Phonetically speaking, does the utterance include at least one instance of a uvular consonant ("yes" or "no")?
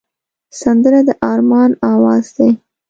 no